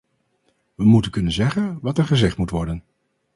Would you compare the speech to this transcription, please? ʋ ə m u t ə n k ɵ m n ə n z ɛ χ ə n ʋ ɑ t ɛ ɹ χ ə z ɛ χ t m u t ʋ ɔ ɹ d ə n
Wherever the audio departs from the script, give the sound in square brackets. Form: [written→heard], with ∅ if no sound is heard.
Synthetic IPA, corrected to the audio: ʋ ə m u t ə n k ɵ [m→∅] n ə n z ɛ χ ə n ʋ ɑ t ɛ ɹ χ ə z ɛ χ t m u t ʋ ɔ ɹ d ə n